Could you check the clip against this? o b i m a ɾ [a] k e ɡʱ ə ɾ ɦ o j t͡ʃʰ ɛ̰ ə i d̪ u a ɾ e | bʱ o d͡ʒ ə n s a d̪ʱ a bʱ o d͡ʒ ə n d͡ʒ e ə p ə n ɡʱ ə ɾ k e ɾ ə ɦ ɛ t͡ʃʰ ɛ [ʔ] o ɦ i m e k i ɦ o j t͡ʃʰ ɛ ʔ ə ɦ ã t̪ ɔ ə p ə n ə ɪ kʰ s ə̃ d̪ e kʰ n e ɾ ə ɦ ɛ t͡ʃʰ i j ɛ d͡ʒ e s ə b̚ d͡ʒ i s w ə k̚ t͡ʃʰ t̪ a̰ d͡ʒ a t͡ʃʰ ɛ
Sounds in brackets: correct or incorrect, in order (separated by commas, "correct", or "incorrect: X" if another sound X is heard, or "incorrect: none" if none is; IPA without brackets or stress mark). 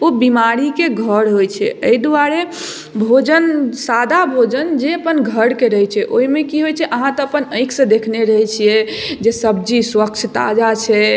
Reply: incorrect: i, correct